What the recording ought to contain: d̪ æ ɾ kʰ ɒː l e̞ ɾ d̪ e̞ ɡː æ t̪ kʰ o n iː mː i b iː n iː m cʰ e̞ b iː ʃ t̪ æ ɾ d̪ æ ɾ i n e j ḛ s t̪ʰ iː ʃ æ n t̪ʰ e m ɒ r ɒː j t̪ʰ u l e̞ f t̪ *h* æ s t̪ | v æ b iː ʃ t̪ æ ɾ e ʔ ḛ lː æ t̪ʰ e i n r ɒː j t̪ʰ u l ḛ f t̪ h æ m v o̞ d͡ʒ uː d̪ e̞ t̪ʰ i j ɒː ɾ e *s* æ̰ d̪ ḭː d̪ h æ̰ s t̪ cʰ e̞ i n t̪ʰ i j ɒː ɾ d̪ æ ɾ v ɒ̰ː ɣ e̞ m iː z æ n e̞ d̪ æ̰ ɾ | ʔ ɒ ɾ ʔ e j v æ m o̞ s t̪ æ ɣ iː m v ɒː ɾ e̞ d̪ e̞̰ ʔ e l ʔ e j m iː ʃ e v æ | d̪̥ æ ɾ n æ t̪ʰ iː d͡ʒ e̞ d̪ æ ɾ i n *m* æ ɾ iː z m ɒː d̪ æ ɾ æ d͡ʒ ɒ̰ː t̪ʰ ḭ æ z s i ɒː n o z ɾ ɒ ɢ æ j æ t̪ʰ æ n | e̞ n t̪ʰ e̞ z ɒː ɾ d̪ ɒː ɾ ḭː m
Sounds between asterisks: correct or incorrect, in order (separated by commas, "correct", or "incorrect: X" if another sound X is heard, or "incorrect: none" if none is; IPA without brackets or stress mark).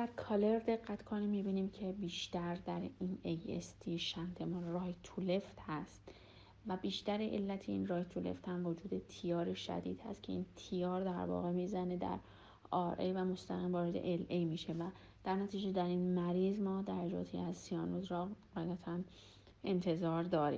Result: correct, incorrect: ʃ, correct